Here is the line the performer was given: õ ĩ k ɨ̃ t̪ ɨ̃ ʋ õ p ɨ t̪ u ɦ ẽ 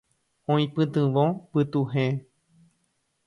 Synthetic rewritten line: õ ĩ p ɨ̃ t̪ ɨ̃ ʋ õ p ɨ t̪ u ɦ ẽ